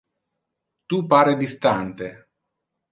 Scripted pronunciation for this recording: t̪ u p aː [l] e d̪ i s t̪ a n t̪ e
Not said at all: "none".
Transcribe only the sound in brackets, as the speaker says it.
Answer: ɾ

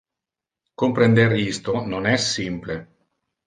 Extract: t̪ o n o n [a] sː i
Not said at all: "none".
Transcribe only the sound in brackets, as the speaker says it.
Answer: ɛ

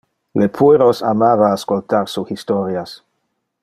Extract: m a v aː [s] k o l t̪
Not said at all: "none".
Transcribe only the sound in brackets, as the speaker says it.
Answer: s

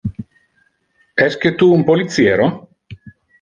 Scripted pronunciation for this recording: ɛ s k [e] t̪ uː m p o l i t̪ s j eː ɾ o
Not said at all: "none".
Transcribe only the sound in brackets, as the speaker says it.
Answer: e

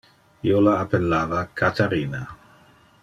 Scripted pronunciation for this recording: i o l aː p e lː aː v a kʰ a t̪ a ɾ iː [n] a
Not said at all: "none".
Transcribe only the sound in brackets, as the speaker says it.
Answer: n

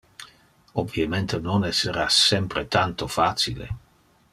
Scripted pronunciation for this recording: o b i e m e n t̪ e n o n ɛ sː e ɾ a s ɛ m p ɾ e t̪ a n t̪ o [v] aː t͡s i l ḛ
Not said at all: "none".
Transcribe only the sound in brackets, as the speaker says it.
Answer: f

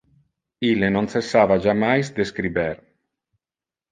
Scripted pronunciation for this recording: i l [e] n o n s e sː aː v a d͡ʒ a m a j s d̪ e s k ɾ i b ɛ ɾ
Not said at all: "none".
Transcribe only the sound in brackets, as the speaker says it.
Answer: e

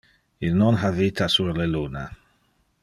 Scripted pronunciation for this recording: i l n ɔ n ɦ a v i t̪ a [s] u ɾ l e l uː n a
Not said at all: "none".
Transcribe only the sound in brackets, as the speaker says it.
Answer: s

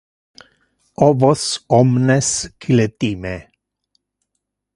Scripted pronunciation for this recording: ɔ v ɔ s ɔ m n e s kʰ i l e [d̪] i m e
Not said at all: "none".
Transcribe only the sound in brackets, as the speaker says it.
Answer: t̪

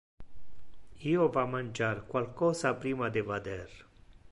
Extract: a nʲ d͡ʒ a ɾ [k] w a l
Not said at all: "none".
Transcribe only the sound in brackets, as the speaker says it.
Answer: k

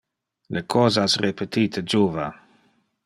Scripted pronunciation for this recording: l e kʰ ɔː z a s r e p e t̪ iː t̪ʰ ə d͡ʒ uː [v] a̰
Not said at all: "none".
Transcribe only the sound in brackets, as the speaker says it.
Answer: v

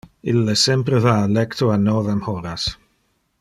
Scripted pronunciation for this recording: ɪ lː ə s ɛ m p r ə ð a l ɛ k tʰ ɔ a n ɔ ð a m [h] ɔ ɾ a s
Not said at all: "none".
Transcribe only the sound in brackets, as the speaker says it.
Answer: h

